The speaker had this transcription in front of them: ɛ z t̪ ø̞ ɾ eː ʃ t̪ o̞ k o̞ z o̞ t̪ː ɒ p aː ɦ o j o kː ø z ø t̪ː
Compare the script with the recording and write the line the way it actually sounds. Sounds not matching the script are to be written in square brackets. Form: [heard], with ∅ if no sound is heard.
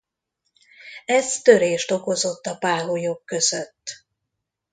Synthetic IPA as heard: ɛ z t̪ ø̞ ɾ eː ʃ t̪ o̞ k o̞ z o̞ t̪ː ɒ p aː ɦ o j o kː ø z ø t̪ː